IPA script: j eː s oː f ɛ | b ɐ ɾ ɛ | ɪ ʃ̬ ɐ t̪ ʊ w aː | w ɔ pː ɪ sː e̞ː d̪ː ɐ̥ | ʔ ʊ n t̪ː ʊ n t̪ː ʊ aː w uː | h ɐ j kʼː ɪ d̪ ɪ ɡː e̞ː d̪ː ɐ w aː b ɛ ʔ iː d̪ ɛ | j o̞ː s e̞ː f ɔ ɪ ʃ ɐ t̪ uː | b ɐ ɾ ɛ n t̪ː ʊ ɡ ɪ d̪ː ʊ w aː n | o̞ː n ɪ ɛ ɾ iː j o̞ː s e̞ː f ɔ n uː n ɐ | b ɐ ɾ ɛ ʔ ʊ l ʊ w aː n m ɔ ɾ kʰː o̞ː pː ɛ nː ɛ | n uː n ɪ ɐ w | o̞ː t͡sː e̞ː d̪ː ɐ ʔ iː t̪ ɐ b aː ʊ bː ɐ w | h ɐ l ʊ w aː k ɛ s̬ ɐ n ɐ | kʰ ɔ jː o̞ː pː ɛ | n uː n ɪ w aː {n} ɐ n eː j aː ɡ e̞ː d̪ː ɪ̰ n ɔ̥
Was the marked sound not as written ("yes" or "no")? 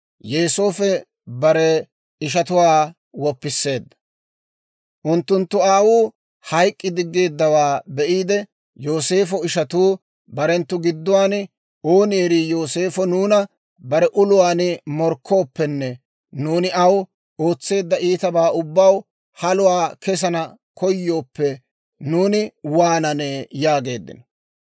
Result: no